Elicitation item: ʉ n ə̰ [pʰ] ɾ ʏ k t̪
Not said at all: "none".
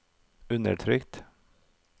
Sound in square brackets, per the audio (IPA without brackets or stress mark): ʈʰ